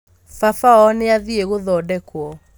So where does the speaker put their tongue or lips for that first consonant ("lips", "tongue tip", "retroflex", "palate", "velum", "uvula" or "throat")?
lips